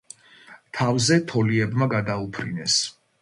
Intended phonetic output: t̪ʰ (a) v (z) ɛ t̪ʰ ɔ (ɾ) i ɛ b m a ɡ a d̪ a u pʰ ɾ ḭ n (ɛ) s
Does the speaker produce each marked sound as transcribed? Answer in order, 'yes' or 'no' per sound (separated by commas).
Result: yes, yes, no, yes